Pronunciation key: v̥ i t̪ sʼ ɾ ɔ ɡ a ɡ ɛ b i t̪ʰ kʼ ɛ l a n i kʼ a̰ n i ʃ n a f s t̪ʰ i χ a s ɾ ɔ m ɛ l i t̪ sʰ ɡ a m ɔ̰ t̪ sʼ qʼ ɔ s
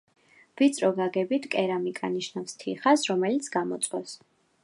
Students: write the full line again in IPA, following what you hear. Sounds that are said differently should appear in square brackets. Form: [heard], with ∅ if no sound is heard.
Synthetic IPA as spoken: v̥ i t̪ sʼ ɾ ɔ ɡ a ɡ ɛ b i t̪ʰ kʼ ɛ [ɾ] a [m] i kʼ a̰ n i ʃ n a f s t̪ʰ i χ a s ɾ ɔ m ɛ l i t̪ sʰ ɡ a m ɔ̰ t̪ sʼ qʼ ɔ s

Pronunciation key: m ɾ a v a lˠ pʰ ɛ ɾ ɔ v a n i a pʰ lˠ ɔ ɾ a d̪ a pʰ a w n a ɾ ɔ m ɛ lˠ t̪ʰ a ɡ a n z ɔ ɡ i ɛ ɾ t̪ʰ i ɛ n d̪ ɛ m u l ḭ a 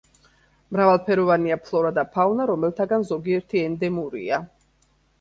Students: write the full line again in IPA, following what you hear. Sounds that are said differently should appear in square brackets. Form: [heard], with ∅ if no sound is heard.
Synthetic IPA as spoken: m ɾ a v a lˠ pʰ ɛ ɾ ɔ v a n i a pʰ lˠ ɔ ɾ a d̪ a pʰ a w n a ɾ ɔ m ɛ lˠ t̪ʰ a ɡ a n z ɔ ɡ i ɛ ɾ t̪ʰ i ɛ n d̪ ɛ m u [ɾ] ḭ a

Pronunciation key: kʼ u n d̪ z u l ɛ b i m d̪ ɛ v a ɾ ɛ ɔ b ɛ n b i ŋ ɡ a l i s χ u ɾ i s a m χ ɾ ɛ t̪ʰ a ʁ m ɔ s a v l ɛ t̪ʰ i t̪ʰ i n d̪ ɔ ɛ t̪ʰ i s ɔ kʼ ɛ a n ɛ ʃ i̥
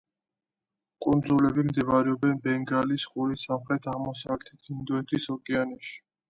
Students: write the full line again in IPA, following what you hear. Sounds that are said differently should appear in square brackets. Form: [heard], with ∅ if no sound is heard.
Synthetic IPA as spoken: kʼ u n d̪ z u l ɛ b i m d̪ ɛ v a ɾ ɛ ɔ b ɛ n b [ɛ] ŋ ɡ a l i s χ u ɾ i s a m χ ɾ ɛ t̪ʰ a ʁ m ɔ s a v l ɛ t̪ʰ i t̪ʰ i n d̪ ɔ ɛ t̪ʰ i s ɔ kʼ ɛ a n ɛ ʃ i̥

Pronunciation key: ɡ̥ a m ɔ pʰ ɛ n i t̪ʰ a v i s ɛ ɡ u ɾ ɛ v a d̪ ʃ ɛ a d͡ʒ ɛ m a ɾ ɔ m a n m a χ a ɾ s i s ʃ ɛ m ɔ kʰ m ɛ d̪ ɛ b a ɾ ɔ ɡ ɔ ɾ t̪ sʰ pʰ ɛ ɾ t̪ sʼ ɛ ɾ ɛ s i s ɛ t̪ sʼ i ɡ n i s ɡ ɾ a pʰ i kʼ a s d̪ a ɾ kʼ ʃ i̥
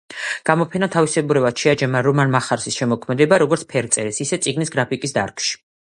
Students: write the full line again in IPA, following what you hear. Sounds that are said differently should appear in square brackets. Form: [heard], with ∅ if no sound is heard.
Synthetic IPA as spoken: ɡ̥ a m ɔ pʰ ɛ n [a] t̪ʰ a v i s ɛ [b] u ɾ ɛ v a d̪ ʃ ɛ a d͡ʒ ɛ m a ɾ ɔ m a n m a χ a ɾ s i s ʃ ɛ m ɔ kʰ m ɛ d̪ ɛ b a ɾ ɔ ɡ ɔ ɾ t̪ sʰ pʰ ɛ ɾ t̪ sʼ ɛ ɾ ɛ s i s ɛ t̪ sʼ i ɡ n i s ɡ ɾ a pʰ i kʼ [i] s d̪ a ɾ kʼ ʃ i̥

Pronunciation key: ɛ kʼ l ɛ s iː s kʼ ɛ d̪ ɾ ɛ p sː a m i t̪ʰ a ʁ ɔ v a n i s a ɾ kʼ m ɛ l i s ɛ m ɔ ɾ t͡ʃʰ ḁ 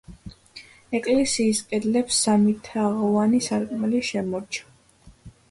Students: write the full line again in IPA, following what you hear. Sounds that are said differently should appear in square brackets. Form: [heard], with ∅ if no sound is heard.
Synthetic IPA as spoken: ɛ kʼ l ɛ s iː s kʼ ɛ d̪ [l] ɛ p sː a m i t̪ʰ a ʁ ɔ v a n i s a ɾ kʼ m ɛ l i [ʃ] ɛ m ɔ ɾ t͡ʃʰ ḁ

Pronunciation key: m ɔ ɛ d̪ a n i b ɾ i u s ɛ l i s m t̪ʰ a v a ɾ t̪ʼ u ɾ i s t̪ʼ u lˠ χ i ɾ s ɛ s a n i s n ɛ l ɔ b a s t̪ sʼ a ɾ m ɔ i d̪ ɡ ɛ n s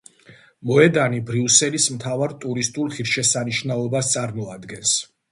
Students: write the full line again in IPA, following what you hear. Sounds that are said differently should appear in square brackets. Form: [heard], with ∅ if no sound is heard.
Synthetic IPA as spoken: m ɔ ɛ d̪ a n i b ɾ i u s ɛ l i s m t̪ʰ a v a ɾ t̪ʼ u ɾ i s t̪ʼ u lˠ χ i ɾ [ʃ] ɛ s a n i [ʃ] n [a] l ɔ b a s t̪ sʼ a ɾ m ɔ [a] d̪ ɡ ɛ n s

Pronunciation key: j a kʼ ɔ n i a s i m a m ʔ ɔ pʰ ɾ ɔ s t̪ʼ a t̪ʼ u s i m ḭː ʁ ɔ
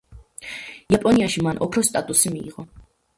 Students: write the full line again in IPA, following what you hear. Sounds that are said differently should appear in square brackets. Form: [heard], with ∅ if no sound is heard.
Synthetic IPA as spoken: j a [pʼ] ɔ n i a [ʃ] i m a [n] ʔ ɔ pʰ ɾ ɔ s t̪ʼ a t̪ʼ u s i m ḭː ʁ ɔ

